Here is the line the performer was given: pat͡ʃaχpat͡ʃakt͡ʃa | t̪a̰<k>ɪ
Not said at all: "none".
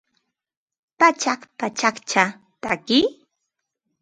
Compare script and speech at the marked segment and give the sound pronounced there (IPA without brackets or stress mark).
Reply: k